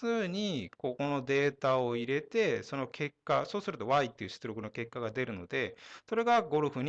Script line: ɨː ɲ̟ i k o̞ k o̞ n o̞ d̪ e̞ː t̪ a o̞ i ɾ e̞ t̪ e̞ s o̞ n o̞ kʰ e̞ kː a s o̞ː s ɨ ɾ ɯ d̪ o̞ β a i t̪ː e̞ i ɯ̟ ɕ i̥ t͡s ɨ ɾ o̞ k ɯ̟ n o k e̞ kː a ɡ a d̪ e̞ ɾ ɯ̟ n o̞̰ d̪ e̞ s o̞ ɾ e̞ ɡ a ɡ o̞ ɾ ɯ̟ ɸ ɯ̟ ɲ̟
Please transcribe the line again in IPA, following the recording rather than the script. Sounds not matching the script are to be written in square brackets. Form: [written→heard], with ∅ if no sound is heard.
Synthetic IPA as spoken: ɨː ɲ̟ i k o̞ k o̞ n o̞ d̪ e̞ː t̪ a o̞ i ɾ e̞ t̪ e̞ s o̞ n o̞ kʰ e̞ kː a s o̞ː s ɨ ɾ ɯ [d̪→t̪] o̞ β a i t̪ː e̞ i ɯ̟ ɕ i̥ t͡s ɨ ɾ o̞ k ɯ̟ n o k e̞ kː a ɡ a d̪ e̞ ɾ ɯ̟ n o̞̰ d̪ e̞ s o̞ ɾ e̞ ɡ a ɡ o̞ ɾ ɯ̟ ɸ ɯ̟ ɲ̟